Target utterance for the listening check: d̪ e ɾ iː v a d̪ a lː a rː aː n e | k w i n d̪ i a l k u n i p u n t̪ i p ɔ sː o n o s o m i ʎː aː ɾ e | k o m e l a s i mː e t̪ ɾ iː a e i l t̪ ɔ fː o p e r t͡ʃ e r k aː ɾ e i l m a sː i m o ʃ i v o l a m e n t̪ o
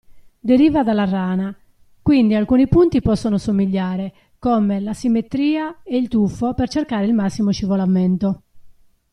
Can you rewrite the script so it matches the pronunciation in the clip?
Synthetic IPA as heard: d̪ e ɾ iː v a d̪ a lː a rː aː n a | k w i n d̪ i a l k u n i p u n t̪ i p ɔ sː o n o s o m i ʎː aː ɾ e | k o m e l a s i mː e t̪ ɾ iː a e i l t̪ u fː o p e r t͡ʃ e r k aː ɾ e i l m a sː i m o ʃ i v o l a m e n t̪ o